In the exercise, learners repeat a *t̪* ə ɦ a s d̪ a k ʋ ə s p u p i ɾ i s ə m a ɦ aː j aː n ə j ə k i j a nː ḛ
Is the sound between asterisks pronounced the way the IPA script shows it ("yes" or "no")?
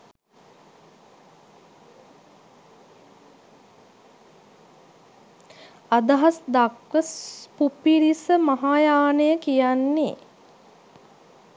no